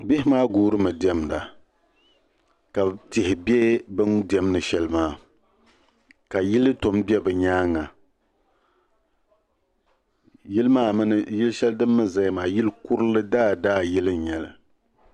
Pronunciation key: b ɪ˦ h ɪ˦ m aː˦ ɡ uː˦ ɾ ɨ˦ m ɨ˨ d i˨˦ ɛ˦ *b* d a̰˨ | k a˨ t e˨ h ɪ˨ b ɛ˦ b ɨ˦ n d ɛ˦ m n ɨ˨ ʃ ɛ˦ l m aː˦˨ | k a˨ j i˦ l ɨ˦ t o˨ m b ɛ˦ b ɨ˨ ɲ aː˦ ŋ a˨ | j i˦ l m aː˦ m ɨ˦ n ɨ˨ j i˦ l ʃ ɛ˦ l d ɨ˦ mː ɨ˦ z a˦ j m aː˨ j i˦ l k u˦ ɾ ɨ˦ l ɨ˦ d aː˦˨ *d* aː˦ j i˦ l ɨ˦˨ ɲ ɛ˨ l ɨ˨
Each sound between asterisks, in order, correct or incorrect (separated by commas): incorrect, correct